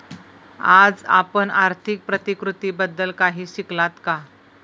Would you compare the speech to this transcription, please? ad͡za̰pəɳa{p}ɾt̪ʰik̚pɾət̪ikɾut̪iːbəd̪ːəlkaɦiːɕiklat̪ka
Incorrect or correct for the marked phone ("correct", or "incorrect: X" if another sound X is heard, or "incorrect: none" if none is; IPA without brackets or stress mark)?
incorrect: none